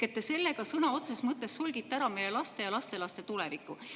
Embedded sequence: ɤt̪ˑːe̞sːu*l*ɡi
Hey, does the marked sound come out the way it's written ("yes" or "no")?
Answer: yes